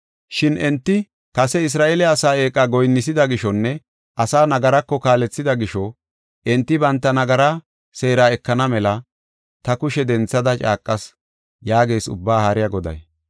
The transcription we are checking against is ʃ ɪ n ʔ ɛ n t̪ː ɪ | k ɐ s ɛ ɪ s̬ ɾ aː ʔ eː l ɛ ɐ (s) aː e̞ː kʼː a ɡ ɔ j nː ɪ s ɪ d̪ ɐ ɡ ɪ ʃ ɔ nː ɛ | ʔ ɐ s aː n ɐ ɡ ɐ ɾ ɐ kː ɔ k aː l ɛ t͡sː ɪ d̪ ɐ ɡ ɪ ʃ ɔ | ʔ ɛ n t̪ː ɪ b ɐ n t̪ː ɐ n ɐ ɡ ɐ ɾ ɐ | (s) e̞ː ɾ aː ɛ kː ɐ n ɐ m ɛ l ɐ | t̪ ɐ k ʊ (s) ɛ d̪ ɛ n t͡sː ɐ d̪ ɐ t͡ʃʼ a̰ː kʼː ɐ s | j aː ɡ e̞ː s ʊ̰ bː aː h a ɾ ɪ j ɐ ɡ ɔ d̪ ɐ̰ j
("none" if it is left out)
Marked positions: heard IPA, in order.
s, s, ʃ

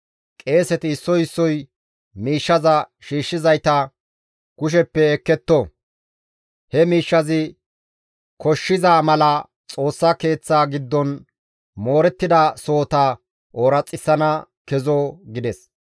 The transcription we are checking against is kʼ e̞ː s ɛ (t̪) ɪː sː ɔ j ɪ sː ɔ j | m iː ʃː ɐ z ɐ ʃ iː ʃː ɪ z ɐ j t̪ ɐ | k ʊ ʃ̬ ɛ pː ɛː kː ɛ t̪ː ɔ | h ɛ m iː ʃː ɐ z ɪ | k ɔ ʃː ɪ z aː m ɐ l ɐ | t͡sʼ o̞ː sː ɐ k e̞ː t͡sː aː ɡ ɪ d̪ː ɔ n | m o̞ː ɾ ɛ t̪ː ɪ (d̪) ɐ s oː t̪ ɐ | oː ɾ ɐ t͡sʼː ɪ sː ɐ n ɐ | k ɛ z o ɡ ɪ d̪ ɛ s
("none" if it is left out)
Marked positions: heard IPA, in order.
t̪, d̪

